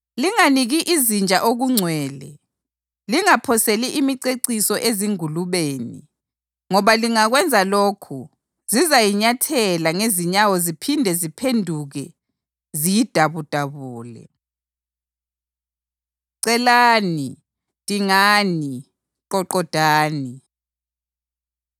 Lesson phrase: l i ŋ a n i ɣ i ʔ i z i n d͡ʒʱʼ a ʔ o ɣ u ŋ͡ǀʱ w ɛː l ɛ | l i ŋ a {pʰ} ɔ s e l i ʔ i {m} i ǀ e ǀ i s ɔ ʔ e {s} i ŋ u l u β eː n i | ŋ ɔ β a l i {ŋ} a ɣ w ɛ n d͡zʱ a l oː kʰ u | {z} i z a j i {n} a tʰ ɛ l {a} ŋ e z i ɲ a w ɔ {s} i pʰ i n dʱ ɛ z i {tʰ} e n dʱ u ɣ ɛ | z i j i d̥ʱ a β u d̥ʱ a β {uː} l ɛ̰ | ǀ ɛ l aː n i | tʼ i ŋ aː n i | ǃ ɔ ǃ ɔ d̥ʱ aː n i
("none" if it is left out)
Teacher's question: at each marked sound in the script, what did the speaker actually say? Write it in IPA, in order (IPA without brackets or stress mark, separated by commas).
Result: pʰ, m, z, ŋ, z, ɲ, a, z, pʰ, uː